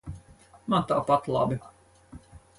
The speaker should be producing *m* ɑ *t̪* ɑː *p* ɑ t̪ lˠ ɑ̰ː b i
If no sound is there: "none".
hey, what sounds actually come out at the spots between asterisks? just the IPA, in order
m, t̪, p

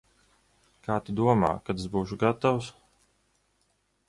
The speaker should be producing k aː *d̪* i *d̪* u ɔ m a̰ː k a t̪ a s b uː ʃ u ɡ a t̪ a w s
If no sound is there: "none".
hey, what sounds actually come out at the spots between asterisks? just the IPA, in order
t̪, d̪

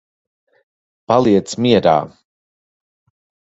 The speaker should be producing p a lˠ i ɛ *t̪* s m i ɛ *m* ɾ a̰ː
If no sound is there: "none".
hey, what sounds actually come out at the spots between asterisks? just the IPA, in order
t̪, none

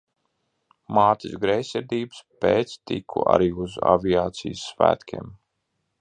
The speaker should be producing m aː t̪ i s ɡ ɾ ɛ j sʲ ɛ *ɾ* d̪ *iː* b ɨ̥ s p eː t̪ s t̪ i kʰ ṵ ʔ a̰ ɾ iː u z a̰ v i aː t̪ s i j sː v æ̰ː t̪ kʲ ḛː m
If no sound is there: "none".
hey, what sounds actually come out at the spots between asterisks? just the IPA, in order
ɾ, iː

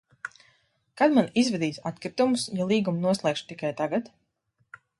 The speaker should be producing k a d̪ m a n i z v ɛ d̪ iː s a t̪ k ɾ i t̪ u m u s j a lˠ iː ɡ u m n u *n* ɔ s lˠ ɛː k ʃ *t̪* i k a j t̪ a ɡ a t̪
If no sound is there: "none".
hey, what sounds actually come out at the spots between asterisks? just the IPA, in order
none, t̪

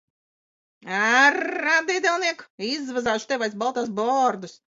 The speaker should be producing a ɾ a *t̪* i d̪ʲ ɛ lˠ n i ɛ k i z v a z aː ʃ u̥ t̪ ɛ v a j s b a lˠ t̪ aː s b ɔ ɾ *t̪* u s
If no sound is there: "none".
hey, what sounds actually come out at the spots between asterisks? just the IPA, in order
d̪, d̪

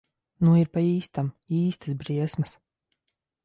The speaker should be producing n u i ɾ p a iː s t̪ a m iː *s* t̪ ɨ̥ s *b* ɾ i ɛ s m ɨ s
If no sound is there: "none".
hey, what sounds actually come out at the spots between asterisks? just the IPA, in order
s, b

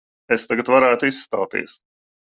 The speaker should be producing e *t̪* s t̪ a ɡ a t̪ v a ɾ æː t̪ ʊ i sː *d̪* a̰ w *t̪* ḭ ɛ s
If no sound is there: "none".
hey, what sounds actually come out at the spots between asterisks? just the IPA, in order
none, t̪, t̪

